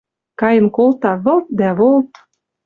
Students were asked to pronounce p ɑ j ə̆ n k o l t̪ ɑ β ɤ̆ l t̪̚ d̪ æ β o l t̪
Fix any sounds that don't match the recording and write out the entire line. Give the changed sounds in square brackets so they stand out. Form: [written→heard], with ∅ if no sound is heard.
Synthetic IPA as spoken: [p→k] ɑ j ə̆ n k o l t̪ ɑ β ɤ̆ l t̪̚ d̪ æ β o l t̪